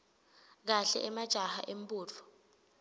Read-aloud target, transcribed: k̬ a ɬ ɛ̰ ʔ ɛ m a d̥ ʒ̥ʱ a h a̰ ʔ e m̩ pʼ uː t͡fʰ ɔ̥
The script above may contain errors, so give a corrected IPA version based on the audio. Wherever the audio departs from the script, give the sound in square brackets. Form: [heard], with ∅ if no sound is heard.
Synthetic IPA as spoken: k̬ a ɬ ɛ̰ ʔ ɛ m a d̥ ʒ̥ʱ a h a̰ ʔ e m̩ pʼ uː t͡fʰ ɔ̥